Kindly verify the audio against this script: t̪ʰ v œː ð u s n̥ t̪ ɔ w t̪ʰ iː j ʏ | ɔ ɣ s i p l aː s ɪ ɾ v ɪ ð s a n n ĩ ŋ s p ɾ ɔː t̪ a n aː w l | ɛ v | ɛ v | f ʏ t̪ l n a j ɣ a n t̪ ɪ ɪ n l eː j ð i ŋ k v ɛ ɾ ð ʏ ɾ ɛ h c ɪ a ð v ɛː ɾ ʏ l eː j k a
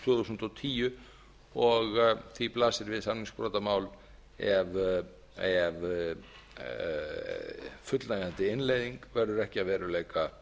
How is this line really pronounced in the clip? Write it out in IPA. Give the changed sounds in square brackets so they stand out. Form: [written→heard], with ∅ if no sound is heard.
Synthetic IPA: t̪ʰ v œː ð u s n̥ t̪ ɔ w t̪ʰ iː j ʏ | ɔ ɣ [s→θ] i p l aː s ɪ ɾ v ɪ ð s a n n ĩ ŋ s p ɾ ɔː t̪ a [n→m] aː w l | ɛ v | ɛ v | f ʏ t̪ l n a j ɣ a n t̪ ɪ ɪ n l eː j ð i ŋ k v ɛ ɾ ð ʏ ɾ ɛ h c ɪ a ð v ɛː ɾ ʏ l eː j k a